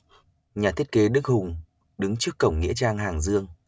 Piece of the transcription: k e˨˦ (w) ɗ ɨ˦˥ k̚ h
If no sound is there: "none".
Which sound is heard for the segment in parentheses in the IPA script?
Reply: none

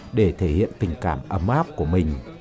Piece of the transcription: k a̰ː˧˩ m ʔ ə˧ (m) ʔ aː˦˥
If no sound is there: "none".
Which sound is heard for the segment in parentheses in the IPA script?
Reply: m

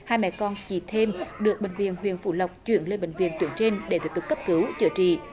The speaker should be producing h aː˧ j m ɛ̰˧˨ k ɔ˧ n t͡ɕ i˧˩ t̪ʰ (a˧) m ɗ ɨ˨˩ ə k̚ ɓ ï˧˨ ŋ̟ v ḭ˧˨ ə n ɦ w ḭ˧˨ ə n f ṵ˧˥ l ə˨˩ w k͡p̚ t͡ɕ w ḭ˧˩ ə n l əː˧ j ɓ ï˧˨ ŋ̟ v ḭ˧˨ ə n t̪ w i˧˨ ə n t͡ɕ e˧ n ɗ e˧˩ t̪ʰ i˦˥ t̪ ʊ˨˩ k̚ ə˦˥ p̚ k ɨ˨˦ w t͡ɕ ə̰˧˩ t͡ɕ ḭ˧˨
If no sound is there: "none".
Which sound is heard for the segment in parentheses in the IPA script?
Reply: e˧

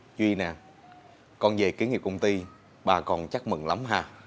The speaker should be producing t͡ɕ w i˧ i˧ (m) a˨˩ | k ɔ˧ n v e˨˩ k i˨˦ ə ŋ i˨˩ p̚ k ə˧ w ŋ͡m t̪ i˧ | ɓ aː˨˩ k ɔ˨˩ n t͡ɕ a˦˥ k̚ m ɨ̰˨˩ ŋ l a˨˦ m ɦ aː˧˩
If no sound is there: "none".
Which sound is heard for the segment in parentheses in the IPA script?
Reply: n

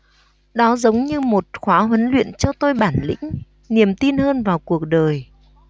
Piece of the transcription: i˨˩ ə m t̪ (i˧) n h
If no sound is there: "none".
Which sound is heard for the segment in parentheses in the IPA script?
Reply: i˧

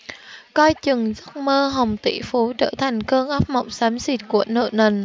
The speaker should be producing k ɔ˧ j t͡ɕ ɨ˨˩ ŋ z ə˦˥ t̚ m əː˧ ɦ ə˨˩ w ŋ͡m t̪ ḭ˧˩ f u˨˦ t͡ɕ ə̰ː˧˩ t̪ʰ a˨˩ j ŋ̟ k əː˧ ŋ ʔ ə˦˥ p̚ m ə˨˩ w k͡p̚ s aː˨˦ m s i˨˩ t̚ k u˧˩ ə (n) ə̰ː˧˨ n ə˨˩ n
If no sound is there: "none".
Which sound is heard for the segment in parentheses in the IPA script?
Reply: n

